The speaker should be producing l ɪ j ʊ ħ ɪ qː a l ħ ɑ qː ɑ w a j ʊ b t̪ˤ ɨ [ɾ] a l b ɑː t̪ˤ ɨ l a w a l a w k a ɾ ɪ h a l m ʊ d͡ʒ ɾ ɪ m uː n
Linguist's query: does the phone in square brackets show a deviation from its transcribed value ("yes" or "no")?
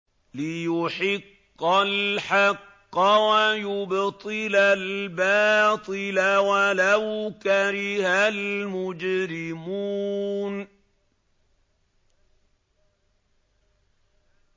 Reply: yes